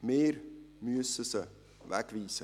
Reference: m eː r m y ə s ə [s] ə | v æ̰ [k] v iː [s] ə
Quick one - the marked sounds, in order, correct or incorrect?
correct, correct, correct

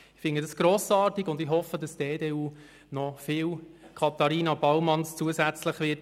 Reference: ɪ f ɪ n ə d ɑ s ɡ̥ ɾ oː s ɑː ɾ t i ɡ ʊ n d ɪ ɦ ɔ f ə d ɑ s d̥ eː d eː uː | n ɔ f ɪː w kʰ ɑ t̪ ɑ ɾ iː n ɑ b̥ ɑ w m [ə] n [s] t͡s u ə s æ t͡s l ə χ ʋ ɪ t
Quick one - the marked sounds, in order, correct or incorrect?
incorrect: ɑ, correct

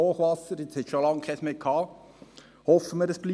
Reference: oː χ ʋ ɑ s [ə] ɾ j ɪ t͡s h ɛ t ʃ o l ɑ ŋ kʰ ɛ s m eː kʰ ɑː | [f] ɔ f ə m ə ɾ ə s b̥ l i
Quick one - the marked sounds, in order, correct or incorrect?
correct, incorrect: h

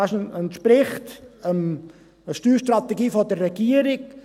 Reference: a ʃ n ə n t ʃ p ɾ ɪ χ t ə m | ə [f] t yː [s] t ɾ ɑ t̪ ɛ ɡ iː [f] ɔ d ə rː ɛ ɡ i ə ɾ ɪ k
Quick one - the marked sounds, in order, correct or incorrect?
incorrect: ʃ, incorrect: ʃ, correct

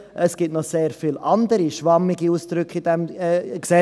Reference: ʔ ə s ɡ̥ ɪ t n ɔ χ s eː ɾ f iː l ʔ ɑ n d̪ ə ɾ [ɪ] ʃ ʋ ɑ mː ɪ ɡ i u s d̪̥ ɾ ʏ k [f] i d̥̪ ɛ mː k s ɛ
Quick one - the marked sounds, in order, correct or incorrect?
incorrect: i, incorrect: χ

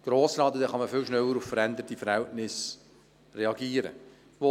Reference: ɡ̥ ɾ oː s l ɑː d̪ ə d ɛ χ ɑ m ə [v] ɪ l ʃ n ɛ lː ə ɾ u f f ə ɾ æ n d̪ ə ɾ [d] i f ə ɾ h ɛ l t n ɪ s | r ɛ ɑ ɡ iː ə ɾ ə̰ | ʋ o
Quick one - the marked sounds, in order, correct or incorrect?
incorrect: f, incorrect: t

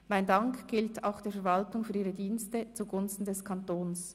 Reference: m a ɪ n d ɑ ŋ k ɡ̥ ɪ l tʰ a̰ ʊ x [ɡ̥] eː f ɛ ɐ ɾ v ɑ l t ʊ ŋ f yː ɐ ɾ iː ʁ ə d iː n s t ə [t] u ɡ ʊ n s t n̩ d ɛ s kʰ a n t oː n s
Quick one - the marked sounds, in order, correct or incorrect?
incorrect: d̥, incorrect: t͡s

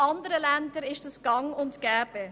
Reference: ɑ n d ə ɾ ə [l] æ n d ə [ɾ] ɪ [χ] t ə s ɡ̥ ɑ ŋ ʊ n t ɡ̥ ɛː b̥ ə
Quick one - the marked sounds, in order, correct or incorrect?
correct, correct, incorrect: ʃ

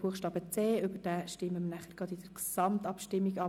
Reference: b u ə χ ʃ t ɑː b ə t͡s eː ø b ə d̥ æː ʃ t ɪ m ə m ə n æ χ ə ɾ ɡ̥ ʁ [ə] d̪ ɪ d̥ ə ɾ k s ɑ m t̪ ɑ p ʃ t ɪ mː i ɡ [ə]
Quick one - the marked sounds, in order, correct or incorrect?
incorrect: ɑ, incorrect: ɑ

